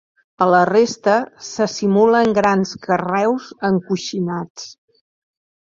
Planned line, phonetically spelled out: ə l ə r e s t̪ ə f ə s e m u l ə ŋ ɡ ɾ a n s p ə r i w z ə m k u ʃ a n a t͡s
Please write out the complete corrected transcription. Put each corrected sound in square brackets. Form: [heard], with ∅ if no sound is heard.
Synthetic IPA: ə l ə r e s t̪ ə [s] ə s [i] m u l ə ŋ ɡ ɾ a n s [k] ə r [ɛ] w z ə [ŋ] k u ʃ [i] n a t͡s